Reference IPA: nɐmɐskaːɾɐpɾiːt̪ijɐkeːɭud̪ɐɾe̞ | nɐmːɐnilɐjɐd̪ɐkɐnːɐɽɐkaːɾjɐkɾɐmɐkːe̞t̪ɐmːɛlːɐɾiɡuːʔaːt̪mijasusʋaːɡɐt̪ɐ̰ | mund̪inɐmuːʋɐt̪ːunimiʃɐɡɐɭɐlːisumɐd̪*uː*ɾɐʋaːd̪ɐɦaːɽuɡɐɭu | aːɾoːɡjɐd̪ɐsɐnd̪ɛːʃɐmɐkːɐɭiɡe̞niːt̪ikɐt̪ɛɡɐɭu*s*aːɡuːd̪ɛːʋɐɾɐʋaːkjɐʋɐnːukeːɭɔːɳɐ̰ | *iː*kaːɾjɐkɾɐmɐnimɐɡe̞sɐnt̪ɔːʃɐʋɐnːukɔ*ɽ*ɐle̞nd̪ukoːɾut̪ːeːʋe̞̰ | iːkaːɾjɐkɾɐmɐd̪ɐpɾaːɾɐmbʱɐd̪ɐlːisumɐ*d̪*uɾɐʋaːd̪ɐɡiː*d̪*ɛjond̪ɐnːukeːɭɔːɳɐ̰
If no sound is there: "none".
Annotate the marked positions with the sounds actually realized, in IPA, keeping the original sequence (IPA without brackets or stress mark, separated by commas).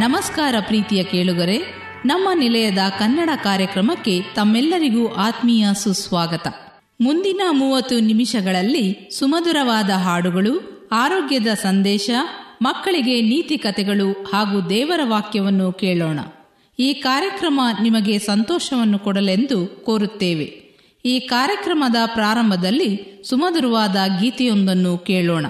u, h, iː, ɽ, d̪, t̪